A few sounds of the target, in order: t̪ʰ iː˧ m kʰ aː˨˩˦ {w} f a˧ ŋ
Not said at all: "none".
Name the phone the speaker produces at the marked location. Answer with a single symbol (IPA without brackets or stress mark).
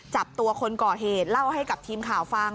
w